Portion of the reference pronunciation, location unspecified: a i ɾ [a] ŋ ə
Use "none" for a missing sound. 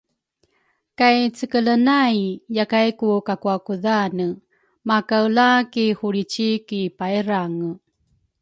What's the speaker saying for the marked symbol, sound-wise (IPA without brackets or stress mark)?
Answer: a